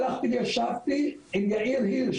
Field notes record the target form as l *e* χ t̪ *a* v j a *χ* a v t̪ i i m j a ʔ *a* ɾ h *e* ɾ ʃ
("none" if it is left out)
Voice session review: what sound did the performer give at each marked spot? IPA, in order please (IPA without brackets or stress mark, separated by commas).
a, i, ʃ, i, i